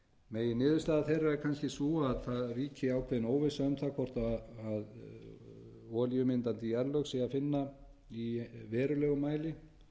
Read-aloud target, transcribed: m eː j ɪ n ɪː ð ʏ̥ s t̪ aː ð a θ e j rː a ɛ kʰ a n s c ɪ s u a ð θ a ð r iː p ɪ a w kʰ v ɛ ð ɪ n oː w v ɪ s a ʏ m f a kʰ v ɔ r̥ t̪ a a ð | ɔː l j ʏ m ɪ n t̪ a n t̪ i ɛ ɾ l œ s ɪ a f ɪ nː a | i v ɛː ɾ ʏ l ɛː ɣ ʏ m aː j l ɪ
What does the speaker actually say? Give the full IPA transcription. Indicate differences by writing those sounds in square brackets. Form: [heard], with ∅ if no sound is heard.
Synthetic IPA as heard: m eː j ɪ n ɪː ð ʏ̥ s t̪ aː ð a θ e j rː a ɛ kʰ a n s c ɪ s u a ð θ a ð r iː [c] ɪ a w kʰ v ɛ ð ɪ n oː w v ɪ s a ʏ m [θ] a kʰ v ɔ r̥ t̪ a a ð | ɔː l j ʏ m ɪ n t̪ a n t̪ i ɛ ɾ l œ s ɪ a f ɪ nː a | i v ɛː ɾ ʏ l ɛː ɣ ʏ m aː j l ɪ